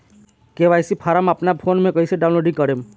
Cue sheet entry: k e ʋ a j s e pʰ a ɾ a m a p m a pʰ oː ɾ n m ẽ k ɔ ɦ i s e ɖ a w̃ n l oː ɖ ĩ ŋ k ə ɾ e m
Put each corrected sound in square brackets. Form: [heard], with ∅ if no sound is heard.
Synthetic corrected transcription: k e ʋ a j s [i] pʰ a ɾ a m a p [n] a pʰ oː [∅] n m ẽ k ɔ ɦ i s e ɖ a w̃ n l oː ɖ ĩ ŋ k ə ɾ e m